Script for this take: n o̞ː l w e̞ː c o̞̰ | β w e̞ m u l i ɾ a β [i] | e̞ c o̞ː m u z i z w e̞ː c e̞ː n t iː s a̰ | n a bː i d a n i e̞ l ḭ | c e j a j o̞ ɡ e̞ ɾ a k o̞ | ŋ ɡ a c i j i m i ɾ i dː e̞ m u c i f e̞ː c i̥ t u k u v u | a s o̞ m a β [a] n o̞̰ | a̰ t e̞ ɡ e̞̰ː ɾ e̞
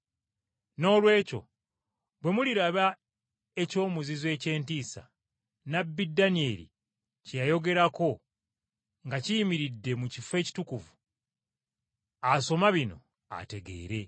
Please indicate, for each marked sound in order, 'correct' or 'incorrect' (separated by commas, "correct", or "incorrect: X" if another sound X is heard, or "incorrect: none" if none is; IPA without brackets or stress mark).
incorrect: a, incorrect: i